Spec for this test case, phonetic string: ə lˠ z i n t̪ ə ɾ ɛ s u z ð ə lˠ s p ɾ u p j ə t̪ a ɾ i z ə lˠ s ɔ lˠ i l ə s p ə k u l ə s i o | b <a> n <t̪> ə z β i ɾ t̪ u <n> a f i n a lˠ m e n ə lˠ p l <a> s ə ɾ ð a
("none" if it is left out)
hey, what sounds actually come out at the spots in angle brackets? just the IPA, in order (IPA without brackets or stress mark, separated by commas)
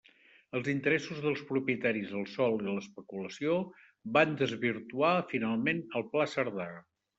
a, d̪, none, a